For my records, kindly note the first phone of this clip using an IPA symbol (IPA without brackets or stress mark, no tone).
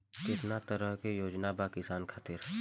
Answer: k